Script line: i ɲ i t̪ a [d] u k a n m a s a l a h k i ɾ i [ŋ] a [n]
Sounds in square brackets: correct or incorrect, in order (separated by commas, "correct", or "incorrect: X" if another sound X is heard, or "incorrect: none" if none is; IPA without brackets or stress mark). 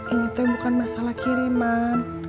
incorrect: b, incorrect: m, correct